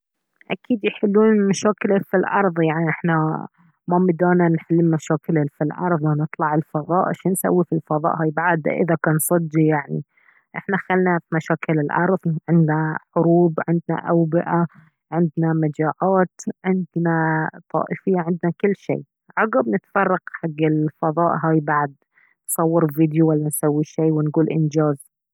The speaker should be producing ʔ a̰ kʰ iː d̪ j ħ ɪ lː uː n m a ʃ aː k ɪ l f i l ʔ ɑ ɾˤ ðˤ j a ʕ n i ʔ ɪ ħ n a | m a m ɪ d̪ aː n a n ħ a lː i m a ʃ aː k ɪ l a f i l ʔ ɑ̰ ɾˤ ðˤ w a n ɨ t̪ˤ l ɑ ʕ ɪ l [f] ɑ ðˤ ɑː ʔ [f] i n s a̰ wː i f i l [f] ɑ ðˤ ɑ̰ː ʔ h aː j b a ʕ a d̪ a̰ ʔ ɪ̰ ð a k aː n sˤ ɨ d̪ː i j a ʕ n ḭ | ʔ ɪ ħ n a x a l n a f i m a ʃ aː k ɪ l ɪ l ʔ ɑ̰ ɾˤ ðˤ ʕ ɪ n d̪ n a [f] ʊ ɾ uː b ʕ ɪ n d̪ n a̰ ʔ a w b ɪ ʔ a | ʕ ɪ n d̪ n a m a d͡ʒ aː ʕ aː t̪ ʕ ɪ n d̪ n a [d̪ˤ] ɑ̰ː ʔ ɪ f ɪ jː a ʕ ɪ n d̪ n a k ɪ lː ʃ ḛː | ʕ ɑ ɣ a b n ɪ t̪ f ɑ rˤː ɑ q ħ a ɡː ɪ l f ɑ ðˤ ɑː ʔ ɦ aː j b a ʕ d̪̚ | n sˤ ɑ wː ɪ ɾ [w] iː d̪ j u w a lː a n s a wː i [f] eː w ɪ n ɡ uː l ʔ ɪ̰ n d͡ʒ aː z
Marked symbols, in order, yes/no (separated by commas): yes, no, yes, no, no, no, no